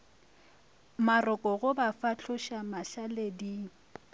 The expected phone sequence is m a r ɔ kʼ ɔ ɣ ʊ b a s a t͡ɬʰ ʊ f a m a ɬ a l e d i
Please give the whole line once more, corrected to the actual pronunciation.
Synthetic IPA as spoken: m a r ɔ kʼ ɔ ɣ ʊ b a f a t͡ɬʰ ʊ ʃ a m a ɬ a l e d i